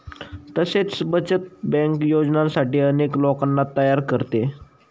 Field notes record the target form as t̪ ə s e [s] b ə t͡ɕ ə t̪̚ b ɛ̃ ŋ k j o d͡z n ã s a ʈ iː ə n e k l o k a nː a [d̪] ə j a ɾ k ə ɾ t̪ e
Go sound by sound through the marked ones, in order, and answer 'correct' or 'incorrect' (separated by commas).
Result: incorrect, incorrect